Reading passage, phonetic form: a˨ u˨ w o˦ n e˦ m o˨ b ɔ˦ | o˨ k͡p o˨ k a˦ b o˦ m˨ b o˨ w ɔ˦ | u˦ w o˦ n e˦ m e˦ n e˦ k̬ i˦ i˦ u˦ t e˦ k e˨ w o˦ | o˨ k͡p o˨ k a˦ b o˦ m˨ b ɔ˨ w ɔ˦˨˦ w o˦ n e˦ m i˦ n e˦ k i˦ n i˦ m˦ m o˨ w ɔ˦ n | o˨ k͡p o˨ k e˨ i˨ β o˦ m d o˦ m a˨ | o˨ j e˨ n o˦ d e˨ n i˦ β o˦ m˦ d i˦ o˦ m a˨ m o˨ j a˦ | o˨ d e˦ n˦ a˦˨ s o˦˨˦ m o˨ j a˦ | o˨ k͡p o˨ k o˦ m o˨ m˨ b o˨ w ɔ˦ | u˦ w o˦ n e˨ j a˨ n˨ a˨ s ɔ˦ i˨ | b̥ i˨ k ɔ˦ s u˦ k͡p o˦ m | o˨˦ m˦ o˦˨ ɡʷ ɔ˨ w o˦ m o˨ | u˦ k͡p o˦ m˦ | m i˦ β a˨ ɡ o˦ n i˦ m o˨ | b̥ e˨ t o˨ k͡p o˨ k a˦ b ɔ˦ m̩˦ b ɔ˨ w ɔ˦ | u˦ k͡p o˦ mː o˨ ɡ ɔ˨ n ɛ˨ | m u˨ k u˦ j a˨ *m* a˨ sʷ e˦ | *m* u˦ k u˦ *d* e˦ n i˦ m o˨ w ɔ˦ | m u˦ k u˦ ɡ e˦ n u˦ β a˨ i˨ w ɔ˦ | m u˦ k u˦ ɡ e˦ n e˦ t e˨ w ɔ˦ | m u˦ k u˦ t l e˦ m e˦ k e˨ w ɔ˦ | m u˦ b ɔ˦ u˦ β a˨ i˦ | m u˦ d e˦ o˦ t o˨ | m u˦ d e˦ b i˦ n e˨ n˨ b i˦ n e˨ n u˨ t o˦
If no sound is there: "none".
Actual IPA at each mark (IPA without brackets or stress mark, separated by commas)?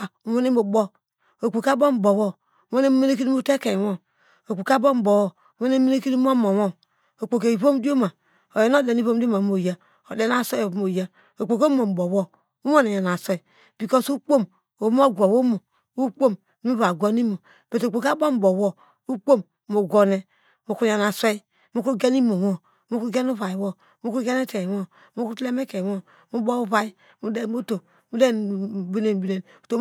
n, m, ɡ